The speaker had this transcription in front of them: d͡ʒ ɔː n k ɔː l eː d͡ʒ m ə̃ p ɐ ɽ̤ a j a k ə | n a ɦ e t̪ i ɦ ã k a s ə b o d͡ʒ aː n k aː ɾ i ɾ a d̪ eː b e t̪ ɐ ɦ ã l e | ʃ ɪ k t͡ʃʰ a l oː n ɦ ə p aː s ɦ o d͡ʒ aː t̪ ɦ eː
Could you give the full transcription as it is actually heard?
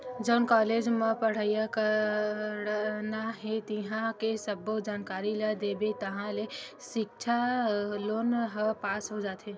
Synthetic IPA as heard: d͡ʒ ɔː n k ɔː l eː d͡ʒ m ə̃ p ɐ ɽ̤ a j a k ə | n a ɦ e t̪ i ɦ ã k e s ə b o d͡ʒ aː n k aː ɾ i l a d̪ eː b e t̪ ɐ ɦ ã l e | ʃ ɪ k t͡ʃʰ a l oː n ɦ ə p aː s ɦ o d͡ʒ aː t̪ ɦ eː